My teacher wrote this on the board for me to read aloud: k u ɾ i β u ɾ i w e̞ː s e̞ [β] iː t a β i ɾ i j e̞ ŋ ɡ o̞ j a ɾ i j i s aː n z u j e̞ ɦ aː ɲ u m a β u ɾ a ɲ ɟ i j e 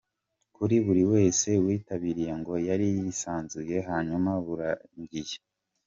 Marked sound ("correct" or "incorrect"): incorrect